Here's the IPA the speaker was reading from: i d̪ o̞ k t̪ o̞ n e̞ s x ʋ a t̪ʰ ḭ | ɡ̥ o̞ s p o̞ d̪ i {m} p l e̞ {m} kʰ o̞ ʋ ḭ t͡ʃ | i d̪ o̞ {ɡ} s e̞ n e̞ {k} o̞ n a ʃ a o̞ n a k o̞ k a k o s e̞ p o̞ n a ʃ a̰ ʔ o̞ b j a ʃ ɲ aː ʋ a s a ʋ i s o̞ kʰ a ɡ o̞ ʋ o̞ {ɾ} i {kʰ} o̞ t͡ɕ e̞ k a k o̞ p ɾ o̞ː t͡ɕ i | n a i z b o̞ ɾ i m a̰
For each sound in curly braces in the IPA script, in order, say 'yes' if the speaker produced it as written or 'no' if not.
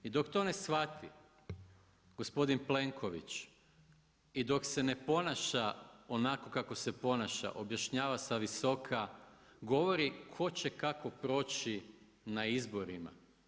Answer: no, no, no, no, yes, yes

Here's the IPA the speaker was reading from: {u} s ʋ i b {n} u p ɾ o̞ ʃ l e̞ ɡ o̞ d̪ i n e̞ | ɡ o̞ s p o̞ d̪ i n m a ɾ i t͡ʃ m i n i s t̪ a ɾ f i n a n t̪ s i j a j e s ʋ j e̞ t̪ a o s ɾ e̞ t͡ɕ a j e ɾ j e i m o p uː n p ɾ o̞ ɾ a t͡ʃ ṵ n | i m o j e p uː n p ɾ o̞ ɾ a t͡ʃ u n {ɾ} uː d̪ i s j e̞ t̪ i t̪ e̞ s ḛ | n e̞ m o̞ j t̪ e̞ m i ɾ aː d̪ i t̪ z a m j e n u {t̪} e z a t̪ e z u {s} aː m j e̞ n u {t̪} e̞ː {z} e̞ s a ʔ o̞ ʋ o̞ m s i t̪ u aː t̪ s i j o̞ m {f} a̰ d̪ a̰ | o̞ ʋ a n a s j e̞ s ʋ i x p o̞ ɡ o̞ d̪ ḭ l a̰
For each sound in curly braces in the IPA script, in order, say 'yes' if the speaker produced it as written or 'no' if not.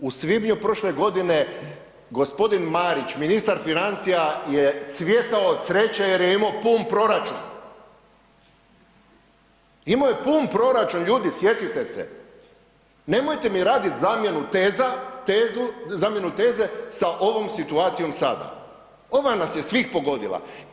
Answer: yes, no, no, yes, no, yes, yes, no

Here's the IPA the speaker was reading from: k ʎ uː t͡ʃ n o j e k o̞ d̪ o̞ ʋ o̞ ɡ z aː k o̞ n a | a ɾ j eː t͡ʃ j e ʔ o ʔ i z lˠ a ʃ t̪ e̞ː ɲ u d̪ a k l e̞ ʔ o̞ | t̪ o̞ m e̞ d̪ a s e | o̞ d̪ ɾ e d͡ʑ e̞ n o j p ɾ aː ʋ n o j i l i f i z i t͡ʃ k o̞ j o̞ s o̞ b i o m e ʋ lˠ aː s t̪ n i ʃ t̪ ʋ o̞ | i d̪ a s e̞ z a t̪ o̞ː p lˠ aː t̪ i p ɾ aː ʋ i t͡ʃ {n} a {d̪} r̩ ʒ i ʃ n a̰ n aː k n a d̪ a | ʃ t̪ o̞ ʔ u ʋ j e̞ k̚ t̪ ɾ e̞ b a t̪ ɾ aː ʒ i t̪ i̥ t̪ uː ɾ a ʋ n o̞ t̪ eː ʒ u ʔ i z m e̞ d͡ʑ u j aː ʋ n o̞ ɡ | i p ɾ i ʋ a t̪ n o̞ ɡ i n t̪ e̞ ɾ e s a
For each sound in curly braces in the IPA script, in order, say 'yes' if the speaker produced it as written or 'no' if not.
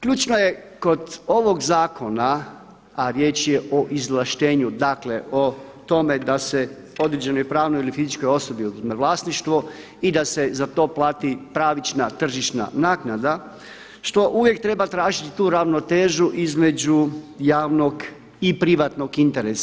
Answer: yes, no

